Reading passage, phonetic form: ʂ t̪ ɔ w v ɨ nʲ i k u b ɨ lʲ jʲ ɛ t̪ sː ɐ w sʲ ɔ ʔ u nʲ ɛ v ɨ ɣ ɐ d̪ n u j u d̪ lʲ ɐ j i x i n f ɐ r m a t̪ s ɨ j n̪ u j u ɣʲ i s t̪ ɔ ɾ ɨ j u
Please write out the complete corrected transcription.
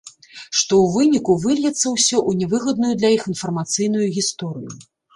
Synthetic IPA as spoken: ʂ t̪ ɔ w v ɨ nʲ i k u v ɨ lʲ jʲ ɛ t̪ sː ɐ w sʲ ɔ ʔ u nʲ ɛ v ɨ ɣ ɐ d̪ n u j u d̪ lʲ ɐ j i x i n f ɐ r m a t̪ s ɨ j n̪ u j u ɣʲ i s t̪ ɔ ɾ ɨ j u